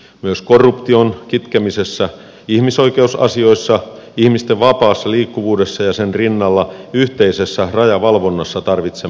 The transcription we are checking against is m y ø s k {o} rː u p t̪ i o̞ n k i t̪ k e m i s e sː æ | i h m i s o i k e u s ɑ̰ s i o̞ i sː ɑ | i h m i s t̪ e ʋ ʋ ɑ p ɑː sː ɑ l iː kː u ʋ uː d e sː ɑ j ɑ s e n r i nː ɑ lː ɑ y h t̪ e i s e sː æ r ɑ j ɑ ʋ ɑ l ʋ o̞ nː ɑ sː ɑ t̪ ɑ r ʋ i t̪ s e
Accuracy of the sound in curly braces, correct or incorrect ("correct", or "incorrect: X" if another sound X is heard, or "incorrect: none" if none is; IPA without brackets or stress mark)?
correct